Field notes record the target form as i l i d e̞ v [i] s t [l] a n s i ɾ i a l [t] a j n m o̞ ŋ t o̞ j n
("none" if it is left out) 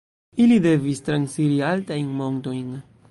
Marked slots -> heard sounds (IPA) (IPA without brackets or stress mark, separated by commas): i, ɾ, t